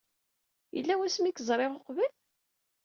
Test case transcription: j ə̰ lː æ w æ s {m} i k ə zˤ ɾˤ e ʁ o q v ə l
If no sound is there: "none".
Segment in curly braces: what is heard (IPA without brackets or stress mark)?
m